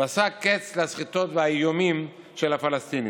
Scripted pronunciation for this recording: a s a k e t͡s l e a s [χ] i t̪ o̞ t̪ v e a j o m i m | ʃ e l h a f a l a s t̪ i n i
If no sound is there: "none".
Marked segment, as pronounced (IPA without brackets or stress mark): χ